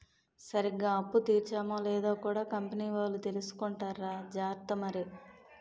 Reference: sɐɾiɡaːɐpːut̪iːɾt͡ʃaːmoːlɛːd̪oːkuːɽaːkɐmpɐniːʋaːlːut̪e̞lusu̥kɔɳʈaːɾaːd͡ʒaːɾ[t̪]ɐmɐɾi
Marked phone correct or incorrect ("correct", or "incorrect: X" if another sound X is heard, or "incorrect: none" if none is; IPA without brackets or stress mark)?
correct